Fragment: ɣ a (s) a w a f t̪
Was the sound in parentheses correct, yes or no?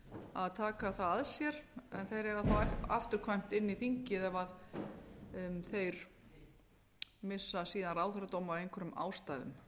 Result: no